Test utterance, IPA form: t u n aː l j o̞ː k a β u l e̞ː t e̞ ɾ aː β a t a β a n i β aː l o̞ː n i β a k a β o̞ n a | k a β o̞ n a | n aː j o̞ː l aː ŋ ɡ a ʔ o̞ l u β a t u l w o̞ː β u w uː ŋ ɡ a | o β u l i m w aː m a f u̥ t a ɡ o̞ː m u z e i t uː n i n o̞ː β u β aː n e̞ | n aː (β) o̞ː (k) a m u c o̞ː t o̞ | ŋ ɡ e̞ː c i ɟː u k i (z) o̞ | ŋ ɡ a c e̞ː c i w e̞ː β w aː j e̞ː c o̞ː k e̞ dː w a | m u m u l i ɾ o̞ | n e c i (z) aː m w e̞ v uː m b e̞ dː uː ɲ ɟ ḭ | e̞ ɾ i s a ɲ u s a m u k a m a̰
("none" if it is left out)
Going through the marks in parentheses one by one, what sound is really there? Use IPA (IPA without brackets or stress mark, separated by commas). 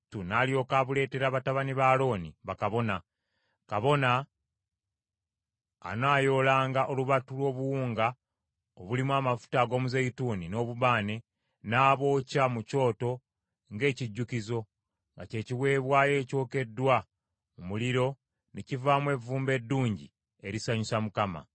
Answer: β, c, z, v